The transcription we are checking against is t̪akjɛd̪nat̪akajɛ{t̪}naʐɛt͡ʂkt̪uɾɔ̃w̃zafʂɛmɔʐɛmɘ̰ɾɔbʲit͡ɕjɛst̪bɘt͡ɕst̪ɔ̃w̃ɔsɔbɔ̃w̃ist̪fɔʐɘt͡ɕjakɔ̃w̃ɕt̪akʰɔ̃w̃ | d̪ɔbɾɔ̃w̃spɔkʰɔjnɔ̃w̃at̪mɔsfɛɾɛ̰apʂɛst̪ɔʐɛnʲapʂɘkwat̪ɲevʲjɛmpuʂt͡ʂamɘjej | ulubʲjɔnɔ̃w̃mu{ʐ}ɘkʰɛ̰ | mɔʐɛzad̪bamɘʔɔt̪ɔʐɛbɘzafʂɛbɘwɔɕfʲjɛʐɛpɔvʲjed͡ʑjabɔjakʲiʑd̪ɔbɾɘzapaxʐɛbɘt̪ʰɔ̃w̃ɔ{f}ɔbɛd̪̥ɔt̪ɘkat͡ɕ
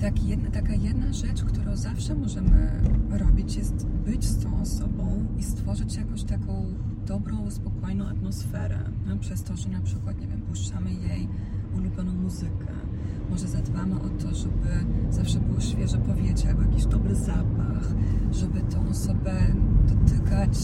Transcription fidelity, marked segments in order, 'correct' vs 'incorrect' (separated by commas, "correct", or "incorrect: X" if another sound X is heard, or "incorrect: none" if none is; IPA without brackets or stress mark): incorrect: d̪, incorrect: z, incorrect: s